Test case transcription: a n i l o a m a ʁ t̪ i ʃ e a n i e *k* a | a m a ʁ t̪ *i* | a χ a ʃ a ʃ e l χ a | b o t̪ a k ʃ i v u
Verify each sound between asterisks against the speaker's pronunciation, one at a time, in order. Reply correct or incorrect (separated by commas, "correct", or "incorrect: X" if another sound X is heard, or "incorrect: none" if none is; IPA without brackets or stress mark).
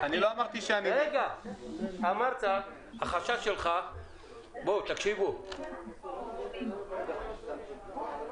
incorrect: ɡ, incorrect: a